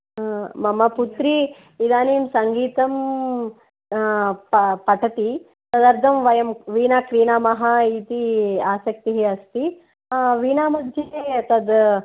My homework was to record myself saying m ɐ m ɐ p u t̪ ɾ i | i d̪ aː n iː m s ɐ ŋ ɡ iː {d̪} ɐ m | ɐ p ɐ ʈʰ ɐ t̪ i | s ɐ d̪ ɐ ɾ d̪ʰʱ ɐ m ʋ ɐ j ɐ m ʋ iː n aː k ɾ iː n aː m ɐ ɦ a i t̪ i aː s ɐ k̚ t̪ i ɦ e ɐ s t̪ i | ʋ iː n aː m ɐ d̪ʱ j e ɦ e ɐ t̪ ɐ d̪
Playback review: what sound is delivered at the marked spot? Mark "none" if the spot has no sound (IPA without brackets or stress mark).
t̪